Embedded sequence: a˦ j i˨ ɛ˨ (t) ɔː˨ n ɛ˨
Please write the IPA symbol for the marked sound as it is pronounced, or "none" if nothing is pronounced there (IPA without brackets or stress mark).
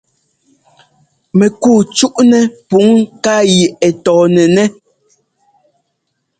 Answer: t